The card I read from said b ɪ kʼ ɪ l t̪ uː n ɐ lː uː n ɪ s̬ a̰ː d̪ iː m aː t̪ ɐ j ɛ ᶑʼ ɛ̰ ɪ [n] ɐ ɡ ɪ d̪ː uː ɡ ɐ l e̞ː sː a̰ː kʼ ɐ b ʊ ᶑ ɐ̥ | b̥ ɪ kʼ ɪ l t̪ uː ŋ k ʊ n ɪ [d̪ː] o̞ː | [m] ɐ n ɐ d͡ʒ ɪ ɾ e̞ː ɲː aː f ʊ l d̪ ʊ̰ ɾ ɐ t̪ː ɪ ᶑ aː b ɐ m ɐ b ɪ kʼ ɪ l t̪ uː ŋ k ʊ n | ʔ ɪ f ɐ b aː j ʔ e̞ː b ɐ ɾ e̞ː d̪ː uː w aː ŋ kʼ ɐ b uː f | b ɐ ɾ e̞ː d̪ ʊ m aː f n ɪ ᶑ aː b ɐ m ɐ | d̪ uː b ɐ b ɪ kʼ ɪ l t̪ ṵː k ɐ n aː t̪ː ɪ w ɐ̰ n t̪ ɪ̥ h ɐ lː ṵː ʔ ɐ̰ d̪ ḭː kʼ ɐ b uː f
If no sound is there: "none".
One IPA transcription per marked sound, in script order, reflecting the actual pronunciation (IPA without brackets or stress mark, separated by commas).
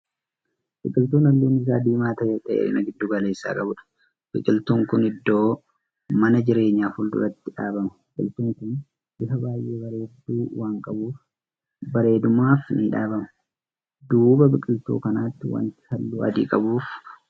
n, d̪ː, m